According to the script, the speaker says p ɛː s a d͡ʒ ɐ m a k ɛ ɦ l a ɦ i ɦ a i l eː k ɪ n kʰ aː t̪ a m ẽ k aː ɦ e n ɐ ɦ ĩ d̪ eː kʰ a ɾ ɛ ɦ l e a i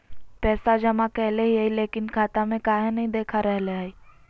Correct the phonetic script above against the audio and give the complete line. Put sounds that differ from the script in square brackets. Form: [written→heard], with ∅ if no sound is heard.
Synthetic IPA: p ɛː s a d͡ʒ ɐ m a k ɛ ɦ l [a→e] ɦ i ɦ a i l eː k ɪ n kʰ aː t̪ a m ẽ k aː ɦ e n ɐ ɦ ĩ d̪ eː kʰ a ɾ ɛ ɦ l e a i